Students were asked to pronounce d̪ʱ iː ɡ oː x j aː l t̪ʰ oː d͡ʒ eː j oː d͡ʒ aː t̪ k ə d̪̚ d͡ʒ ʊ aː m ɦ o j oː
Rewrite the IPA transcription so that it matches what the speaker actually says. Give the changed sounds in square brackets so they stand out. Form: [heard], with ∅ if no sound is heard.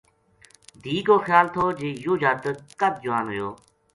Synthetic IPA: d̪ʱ iː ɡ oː x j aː l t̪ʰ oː d͡ʒ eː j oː d͡ʒ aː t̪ k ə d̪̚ d͡ʒ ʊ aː [n] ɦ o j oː